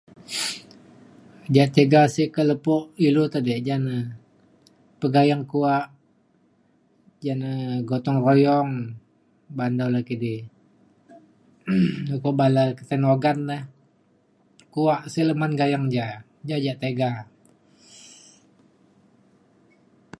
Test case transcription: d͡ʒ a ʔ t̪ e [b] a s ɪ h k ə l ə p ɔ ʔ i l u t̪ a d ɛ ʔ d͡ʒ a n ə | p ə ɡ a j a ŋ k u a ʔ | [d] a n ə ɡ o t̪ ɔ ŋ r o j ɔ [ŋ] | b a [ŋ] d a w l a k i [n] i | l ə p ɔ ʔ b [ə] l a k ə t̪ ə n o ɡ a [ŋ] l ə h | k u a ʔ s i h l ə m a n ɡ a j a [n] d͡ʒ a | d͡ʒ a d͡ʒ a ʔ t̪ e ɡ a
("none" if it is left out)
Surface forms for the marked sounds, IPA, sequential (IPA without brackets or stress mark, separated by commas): ɡ, d͡ʒ, ŋ, n, d, a, n, ŋ